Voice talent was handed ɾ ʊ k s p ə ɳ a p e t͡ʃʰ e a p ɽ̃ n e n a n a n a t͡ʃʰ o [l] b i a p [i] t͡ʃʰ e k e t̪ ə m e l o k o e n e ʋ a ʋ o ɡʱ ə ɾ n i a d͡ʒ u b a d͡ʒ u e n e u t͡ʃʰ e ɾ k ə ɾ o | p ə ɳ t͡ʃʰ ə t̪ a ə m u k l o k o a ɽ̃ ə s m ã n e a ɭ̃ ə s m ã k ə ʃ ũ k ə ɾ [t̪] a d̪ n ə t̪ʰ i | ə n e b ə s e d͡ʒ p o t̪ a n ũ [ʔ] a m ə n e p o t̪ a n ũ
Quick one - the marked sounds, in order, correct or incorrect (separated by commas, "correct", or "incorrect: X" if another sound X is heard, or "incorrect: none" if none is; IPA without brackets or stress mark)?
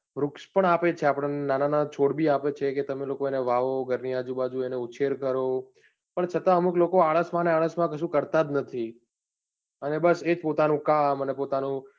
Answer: incorrect: ɽ, incorrect: e, correct, incorrect: k